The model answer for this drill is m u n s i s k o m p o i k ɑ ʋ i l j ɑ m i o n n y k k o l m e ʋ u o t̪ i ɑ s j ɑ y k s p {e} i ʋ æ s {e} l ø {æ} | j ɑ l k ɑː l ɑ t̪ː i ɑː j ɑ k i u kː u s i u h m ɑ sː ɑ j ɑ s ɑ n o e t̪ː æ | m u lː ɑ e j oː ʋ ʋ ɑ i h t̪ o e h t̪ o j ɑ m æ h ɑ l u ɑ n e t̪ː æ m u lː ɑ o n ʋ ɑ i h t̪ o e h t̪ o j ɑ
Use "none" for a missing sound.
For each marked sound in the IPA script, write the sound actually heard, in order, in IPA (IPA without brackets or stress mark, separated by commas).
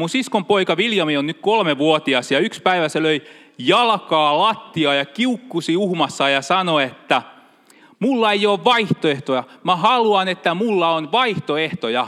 æ, e, i